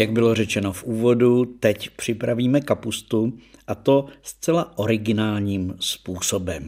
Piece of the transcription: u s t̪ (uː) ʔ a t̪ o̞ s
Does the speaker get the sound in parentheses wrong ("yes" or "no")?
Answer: yes